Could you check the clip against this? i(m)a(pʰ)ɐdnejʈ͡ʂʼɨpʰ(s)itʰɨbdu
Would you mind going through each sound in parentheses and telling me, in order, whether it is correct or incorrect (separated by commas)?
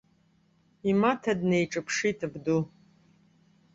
correct, incorrect, incorrect